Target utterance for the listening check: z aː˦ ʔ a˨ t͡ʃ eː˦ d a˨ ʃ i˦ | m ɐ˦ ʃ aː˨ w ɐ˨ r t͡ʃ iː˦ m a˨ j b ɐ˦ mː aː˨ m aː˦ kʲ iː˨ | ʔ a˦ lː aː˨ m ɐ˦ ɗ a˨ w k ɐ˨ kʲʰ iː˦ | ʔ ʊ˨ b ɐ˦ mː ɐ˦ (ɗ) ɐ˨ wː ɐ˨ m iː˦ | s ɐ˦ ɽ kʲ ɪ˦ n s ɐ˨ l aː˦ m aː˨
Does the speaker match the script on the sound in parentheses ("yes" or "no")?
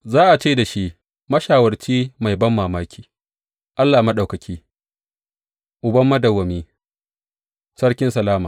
no